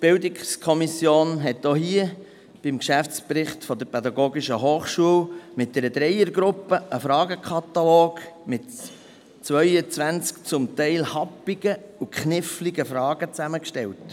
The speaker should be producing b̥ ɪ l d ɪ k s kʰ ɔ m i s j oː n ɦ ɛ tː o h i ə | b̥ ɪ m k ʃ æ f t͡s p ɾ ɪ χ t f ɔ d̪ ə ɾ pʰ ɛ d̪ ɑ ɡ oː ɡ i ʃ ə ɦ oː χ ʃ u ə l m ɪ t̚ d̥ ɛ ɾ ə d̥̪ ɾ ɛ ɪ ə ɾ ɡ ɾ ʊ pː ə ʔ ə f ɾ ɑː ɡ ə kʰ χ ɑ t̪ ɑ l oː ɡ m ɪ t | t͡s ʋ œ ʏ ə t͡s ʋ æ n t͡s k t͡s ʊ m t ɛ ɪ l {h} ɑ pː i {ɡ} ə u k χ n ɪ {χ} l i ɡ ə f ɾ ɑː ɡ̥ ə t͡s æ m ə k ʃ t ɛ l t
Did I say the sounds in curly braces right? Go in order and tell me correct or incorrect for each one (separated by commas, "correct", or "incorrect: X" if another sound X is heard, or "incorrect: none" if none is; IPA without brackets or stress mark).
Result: correct, correct, incorrect: f